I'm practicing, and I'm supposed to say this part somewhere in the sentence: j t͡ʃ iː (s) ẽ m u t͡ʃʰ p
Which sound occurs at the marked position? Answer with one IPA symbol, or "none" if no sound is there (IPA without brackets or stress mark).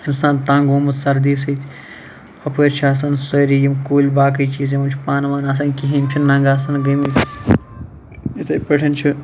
z